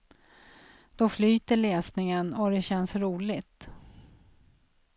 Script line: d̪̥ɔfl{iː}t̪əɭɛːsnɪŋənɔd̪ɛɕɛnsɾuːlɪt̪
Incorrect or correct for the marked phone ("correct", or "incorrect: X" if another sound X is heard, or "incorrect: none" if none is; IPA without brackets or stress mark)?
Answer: incorrect: yː